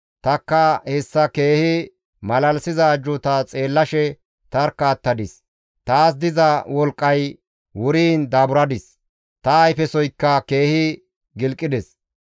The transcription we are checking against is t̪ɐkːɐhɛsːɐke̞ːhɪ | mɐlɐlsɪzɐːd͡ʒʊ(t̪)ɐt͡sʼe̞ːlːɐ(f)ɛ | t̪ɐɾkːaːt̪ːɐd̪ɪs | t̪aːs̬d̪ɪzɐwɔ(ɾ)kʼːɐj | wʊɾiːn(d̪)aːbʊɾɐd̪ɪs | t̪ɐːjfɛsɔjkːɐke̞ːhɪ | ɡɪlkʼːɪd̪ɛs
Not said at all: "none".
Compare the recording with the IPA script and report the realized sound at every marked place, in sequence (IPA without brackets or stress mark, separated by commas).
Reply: t̪, ʃ, l, d̪